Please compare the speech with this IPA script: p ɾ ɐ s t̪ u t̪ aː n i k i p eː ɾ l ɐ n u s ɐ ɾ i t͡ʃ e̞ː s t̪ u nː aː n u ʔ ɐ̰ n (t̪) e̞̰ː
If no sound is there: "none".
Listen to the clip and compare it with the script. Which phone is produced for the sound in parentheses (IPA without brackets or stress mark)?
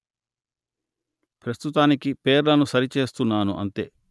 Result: t̪